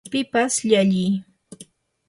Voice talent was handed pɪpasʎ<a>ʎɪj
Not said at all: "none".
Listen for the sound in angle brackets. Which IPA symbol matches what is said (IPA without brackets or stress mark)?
a